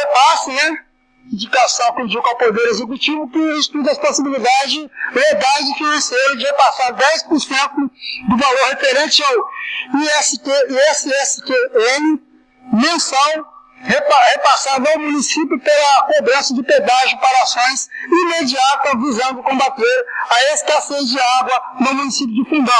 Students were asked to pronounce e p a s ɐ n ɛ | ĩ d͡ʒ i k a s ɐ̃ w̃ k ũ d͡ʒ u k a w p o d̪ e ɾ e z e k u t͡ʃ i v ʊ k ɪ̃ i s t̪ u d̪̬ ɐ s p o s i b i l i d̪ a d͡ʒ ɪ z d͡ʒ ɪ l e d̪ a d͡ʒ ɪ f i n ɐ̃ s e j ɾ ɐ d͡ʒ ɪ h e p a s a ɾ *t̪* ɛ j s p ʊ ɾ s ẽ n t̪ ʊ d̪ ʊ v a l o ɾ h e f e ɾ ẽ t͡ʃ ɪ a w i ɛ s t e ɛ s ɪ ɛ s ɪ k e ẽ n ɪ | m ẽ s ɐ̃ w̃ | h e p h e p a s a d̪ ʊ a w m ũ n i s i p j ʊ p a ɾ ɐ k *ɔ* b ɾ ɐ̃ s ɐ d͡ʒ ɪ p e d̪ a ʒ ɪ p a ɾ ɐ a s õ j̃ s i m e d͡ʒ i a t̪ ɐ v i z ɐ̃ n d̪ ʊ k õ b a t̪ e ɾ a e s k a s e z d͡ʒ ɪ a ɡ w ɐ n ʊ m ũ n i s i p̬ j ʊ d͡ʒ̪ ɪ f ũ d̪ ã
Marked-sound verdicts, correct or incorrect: incorrect: d̪, incorrect: o

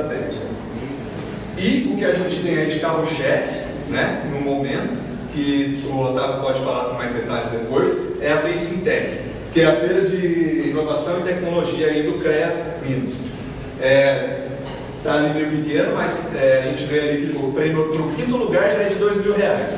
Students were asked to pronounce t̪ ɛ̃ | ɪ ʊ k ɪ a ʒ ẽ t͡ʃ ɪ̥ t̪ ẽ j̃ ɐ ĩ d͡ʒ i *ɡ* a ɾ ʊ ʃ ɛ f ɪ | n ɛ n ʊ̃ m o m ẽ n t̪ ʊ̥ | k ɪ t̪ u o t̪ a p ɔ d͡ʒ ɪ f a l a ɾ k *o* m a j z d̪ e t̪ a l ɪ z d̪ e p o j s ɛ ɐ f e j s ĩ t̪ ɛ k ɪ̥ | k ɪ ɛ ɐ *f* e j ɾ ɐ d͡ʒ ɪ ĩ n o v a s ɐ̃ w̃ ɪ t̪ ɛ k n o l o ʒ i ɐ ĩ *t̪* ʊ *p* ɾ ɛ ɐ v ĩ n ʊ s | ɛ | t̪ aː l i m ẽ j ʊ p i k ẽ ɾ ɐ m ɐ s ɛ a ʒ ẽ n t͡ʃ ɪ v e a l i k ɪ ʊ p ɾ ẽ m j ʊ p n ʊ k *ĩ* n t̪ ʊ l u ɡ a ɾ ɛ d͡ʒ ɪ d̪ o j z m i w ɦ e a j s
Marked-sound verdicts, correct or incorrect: incorrect: k, incorrect: õ, correct, incorrect: d̪, incorrect: k, correct

